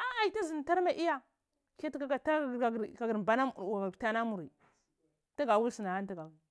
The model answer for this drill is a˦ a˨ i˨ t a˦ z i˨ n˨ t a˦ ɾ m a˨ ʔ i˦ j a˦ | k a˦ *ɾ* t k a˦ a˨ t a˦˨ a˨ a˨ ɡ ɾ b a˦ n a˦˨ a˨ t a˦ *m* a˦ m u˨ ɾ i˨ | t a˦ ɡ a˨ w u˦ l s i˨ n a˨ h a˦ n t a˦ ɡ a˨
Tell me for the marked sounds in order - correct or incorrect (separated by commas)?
incorrect, incorrect